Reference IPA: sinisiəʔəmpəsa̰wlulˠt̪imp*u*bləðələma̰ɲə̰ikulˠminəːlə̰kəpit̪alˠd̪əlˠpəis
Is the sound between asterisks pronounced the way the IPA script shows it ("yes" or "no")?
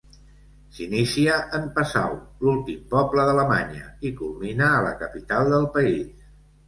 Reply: no